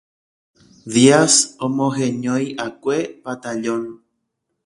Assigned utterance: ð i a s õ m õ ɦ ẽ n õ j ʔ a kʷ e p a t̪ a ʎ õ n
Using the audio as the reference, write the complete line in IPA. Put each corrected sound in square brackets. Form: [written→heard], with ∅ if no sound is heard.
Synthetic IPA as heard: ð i a s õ m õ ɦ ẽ [n→ɲ] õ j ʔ a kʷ e p a t̪ a ʎ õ n